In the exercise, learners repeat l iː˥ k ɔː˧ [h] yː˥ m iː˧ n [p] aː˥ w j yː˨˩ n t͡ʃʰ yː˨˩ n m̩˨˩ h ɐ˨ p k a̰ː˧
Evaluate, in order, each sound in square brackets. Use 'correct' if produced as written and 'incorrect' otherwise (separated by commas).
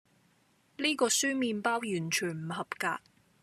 incorrect, correct